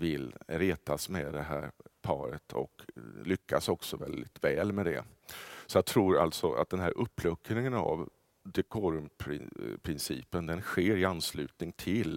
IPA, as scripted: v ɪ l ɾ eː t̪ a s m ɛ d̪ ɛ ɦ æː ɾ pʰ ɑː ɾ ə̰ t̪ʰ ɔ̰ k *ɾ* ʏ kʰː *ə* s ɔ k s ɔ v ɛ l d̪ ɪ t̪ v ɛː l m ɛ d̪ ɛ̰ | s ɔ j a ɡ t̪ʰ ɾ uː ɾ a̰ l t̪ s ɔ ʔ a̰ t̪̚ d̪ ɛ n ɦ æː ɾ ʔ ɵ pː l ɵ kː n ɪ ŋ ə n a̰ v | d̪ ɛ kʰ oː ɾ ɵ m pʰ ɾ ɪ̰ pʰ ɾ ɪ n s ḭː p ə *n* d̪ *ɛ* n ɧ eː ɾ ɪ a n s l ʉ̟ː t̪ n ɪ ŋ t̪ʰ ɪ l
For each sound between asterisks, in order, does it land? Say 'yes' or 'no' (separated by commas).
no, no, yes, yes